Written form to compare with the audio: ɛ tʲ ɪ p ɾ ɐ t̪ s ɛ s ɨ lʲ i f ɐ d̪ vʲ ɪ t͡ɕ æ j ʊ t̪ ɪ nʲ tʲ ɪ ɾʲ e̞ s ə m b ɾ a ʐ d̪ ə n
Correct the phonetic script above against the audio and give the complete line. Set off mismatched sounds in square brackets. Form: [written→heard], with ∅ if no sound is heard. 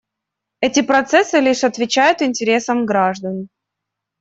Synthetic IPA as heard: ɛ tʲ ɪ p ɾ ɐ t̪ s ɛ s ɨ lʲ i [f→ʂ] ɐ [d̪→t̪] vʲ ɪ t͡ɕ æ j ʊ t̪ ɪ nʲ tʲ ɪ ɾʲ e̞ s ə m [b→ɡ] ɾ a ʐ d̪ ə n